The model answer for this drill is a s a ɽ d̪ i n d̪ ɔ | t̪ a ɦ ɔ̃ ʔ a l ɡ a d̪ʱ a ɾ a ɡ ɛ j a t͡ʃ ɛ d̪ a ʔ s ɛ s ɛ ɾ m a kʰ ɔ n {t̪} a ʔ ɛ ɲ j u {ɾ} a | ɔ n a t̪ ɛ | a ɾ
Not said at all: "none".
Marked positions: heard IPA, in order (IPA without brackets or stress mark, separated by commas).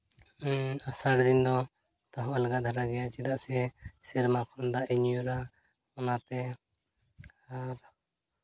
d̪, ɾ